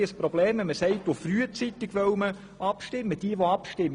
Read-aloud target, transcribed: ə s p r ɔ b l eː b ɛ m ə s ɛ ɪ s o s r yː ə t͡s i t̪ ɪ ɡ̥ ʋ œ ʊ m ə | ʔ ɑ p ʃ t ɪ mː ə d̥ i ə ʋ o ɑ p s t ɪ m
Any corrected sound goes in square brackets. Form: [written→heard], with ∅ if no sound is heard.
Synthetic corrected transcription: ə s p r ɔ b l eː [b→m] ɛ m ə s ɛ ɪ [s→t] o [s→f] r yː ə t͡s i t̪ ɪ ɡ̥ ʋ œ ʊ m ə | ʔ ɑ p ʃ t ɪ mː ə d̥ i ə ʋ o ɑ p [s→ʃ] t ɪ m